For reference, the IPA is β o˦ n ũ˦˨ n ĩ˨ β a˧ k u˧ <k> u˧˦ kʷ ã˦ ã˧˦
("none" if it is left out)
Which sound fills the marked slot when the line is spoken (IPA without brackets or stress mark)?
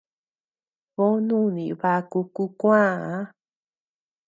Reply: k